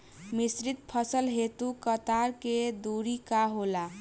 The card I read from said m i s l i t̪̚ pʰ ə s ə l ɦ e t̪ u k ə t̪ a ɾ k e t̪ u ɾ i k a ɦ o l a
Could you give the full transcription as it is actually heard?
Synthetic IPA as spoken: m i s ɾ i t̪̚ pʰ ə s ə l ɦ e t̪ u k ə t̪ a ɾ k e d̪ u ɾ i k a ɦ o l a